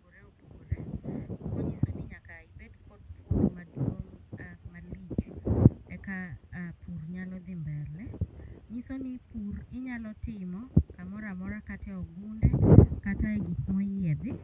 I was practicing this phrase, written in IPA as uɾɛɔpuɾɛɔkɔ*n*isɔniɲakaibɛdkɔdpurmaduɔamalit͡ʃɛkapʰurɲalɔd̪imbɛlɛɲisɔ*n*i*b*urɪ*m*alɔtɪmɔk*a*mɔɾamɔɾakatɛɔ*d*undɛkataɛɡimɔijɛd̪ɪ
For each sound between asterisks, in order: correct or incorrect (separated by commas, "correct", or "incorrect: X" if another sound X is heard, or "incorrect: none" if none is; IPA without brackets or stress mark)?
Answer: incorrect: ɲ, correct, incorrect: p, incorrect: ɲ, correct, incorrect: ɡ